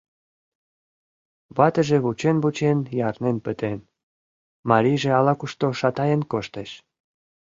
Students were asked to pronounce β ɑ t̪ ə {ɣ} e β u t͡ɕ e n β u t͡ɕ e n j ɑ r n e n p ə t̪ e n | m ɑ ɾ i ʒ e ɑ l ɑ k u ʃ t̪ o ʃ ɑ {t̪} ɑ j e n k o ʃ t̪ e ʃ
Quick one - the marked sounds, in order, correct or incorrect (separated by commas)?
incorrect, correct